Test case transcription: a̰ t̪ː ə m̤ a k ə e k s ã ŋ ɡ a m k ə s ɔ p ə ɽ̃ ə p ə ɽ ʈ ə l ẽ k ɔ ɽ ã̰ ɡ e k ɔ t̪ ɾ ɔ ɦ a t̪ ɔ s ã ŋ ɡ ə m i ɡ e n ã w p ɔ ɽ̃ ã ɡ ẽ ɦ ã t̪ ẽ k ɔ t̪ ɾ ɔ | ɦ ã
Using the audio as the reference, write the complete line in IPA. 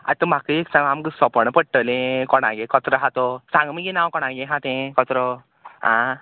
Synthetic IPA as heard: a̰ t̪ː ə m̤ a k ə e k s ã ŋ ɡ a m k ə s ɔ p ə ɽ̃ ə p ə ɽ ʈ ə l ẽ k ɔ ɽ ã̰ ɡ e k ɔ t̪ ɾ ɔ ɦ a t̪ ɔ s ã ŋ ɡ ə m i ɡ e n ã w k ɔ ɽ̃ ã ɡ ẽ ɦ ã t̪ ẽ k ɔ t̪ ɾ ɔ | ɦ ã